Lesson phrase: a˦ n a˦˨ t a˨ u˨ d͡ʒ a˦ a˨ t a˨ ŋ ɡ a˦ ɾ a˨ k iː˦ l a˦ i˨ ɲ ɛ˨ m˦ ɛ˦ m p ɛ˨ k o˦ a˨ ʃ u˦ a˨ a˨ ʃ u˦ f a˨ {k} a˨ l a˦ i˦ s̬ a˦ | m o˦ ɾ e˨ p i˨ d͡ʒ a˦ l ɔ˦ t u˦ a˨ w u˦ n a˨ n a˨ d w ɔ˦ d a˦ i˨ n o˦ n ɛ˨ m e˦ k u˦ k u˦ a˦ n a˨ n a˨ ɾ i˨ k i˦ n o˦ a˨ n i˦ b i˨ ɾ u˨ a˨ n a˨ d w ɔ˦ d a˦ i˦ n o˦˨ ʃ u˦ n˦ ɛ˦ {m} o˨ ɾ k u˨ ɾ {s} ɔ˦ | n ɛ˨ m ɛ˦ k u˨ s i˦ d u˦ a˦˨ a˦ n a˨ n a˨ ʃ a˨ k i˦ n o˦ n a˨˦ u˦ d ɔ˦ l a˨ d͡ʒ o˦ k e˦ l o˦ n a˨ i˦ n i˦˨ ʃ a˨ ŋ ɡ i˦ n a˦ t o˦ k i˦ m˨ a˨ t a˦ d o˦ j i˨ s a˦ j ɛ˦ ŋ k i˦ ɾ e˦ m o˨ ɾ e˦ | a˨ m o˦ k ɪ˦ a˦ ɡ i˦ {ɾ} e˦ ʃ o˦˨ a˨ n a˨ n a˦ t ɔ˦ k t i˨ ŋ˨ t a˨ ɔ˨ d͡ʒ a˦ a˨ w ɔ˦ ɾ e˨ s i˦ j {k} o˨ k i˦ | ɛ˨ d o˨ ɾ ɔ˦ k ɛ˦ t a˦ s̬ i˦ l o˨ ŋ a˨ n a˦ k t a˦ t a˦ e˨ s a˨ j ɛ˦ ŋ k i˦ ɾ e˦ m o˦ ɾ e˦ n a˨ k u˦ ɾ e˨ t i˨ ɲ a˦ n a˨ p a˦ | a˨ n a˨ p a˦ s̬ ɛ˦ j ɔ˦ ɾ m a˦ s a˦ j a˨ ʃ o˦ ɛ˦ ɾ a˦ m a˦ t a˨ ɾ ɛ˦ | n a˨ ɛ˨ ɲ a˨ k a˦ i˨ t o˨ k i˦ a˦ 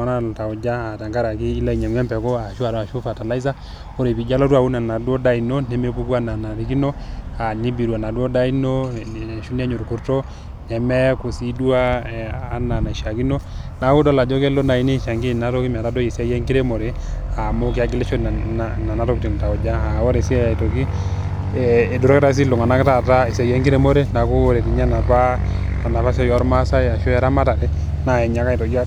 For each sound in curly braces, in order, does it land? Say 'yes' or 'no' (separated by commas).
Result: no, no, no, no, no